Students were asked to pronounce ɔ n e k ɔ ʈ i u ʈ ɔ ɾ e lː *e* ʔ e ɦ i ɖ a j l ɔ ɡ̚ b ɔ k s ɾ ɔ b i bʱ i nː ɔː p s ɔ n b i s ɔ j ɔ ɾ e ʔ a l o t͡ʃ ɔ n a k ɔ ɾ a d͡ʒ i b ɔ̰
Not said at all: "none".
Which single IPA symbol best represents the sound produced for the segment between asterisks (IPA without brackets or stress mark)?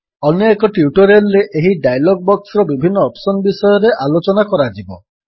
e